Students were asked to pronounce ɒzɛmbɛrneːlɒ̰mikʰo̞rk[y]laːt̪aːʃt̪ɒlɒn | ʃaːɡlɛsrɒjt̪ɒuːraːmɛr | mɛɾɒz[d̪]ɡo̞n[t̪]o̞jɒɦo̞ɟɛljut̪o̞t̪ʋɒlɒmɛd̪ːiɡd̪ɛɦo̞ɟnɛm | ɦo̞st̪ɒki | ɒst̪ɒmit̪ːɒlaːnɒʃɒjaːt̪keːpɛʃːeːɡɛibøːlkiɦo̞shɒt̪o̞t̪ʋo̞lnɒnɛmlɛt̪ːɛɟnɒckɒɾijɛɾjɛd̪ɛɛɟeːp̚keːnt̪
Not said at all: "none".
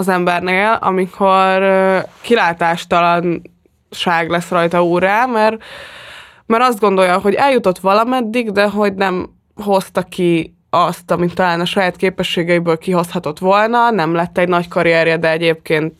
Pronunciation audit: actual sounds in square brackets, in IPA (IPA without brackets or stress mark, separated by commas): i, d̪, d̪